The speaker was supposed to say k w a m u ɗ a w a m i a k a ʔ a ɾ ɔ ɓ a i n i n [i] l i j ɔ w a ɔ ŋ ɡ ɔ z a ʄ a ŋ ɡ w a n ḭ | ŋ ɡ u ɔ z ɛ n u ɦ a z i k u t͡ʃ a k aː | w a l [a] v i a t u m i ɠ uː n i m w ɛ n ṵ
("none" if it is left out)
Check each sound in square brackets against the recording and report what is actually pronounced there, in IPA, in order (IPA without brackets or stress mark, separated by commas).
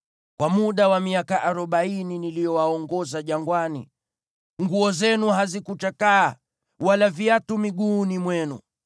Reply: i, a